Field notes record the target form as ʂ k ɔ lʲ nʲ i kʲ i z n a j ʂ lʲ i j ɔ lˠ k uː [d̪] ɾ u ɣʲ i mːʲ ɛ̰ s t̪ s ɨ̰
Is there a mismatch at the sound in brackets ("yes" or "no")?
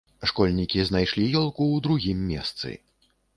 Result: no